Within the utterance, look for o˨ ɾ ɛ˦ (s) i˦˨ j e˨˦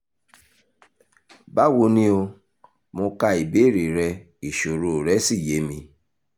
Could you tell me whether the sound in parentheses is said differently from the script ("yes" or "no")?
no